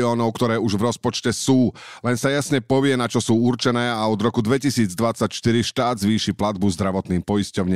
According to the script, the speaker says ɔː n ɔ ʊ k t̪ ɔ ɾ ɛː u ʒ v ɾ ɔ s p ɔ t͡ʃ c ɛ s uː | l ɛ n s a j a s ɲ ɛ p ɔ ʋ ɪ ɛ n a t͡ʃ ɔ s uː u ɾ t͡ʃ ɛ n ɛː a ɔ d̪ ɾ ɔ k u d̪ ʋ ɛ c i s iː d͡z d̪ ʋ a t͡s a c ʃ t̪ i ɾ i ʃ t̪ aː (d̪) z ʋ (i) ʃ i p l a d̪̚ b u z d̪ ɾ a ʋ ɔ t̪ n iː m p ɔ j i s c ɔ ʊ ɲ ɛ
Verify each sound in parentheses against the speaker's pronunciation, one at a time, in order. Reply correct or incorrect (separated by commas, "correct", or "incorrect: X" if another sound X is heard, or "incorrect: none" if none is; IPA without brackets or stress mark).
correct, incorrect: iː